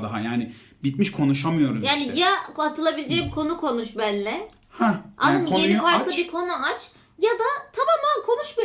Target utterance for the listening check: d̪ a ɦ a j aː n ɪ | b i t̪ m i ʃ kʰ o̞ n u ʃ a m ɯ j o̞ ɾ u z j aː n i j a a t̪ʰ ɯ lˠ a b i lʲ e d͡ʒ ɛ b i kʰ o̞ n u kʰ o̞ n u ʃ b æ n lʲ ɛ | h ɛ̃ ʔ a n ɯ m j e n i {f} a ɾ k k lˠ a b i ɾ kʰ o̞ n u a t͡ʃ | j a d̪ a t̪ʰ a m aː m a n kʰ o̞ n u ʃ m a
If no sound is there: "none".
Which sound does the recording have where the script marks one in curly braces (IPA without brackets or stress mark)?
f